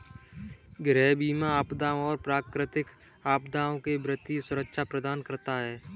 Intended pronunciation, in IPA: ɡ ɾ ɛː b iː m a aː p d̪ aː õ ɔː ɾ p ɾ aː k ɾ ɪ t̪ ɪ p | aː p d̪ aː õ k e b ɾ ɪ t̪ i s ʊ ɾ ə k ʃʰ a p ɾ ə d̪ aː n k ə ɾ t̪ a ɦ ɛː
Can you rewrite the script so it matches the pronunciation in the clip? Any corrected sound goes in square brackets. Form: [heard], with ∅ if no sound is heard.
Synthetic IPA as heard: ɡ ɾ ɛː b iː m a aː p d̪ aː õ ɔː ɾ p ɾ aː k ɾ ɪ t̪ ɪ [k] | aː p d̪ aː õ k e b ɾ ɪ t̪ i s ʊ ɾ ə k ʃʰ a p ɾ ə d̪ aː n k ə ɾ t̪ a ɦ ɛː